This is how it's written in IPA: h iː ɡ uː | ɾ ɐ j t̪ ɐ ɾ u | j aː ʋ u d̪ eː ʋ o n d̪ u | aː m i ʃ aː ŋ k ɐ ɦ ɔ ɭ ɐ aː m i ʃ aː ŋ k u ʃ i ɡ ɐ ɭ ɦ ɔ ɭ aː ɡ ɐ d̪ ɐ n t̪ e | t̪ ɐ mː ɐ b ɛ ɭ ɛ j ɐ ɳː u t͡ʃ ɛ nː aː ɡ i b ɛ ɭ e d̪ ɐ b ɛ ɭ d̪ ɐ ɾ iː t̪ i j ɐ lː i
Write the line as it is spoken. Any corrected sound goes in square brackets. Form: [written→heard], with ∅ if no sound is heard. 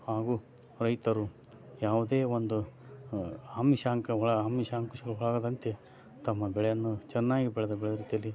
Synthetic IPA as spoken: h [iː→aː] ɡ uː | ɾ ɐ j t̪ ɐ ɾ u | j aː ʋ u d̪ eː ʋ o n d̪ u | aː m i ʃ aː ŋ k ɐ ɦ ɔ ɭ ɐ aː m i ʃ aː ŋ k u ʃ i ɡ ɐ ɭ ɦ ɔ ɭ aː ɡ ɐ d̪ ɐ n t̪ e | t̪ ɐ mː ɐ b ɛ ɭ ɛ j ɐ [ɳː→nː] u t͡ʃ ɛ nː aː ɡ i b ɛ ɭ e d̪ ɐ b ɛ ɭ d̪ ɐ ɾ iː t̪ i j ɐ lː i